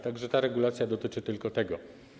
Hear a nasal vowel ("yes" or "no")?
no